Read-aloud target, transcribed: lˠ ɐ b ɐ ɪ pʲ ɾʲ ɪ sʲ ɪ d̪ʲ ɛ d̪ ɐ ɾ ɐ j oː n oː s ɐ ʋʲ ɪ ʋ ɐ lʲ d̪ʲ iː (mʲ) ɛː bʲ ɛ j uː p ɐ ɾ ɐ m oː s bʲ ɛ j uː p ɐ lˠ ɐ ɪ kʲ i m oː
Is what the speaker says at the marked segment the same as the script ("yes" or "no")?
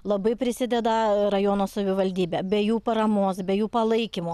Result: no